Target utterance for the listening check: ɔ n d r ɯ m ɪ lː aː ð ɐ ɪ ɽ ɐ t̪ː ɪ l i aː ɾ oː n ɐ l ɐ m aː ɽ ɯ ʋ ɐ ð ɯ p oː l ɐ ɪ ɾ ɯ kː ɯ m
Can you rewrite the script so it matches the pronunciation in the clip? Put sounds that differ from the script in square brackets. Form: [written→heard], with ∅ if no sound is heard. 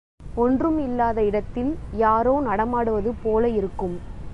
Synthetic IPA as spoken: ɔ n d r ɯ m ɪ lː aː ð ɐ ɪ ɽ ɐ t̪ː ɪ l [i→j] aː ɾ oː n ɐ [l→ɽ] ɐ m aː ɽ ɯ ʋ ɐ ð ɯ p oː l ɐ ɪ ɾ ɯ kː ɯ m

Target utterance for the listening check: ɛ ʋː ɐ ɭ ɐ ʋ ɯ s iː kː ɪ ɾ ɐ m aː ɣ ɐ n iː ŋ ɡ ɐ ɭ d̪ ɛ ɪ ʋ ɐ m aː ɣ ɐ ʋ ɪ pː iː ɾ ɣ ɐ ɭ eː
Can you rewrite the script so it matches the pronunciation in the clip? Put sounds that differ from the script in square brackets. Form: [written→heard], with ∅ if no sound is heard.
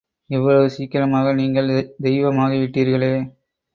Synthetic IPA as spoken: ɛ ʋː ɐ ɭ ɐ ʋ ɯ s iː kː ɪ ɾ ɐ m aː ɣ ɐ n iː ŋ ɡ ɐ ɭ d̪ ɛ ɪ ʋ ɐ m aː ɣ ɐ ʋ ɪ [pː→ʈː] iː ɾ ɣ ɐ ɭ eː

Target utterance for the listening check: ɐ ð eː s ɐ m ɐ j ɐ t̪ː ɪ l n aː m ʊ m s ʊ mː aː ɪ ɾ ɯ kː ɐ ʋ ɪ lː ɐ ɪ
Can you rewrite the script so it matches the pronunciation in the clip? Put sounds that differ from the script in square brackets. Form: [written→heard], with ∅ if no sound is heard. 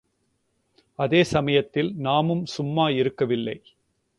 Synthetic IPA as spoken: ɐ ð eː s ɐ m ɐ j ɐ t̪ː ɪ l n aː m [ʊ→ɯ] m s ʊ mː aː ɪ ɾ ɯ kː ɐ ʋ ɪ lː ɐ ɪ

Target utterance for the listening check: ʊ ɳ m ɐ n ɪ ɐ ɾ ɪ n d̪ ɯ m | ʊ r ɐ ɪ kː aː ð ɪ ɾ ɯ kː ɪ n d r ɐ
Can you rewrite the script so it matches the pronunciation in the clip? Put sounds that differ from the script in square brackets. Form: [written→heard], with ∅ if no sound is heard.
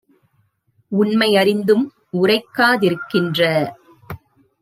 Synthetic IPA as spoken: ʊ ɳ m ɐ [n→∅] ɪ ɐ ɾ ɪ n d̪ ɯ m | ʊ r ɐ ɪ kː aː ð ɪ ɾ ɯ kː ɪ n d r ɐ

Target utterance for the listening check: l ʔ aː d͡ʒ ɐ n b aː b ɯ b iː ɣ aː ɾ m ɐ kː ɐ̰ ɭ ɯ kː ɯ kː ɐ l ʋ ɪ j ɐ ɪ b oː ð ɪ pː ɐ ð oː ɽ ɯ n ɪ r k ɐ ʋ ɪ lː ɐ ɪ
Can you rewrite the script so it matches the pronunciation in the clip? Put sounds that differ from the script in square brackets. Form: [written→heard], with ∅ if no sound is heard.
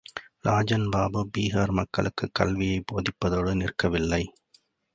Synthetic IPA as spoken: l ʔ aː d͡ʒ ɐ n b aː b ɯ b iː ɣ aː ɾ m ɐ kː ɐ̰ ɭ ɯ kː ɯ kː ɐ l ʋ ɪ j ɐ ɪ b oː ð ɪ pː ɐ ð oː ɽ ɯ n ɪ r k ɐ ʋ ɪ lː ɐ ɪ

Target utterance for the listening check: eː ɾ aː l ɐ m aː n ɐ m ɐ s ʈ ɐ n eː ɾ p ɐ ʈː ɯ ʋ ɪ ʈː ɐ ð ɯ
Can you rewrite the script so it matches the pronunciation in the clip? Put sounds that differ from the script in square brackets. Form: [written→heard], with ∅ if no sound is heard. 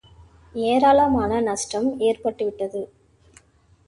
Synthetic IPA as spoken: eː ɾ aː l ɐ m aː n ɐ [m→n] ɐ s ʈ ɐ [n→m] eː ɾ p ɐ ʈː ɯ ʋ ɪ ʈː ɐ ð ɯ

